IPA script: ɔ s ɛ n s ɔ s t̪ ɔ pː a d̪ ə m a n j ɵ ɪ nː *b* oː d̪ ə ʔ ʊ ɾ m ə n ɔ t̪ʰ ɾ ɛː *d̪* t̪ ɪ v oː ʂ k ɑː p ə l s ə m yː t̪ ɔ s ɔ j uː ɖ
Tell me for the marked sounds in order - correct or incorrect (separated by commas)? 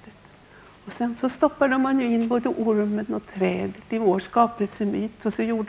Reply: correct, correct